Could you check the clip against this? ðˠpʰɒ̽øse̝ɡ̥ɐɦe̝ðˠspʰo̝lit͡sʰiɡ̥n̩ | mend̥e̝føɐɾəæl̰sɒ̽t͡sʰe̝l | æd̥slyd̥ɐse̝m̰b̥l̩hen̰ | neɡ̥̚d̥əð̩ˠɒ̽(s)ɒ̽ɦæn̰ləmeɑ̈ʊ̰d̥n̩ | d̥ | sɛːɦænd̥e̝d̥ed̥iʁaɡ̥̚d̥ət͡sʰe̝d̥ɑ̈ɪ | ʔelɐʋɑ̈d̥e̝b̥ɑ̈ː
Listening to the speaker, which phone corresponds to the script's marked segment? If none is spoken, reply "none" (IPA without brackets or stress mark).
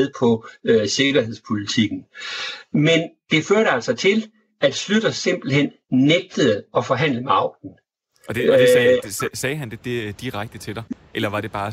f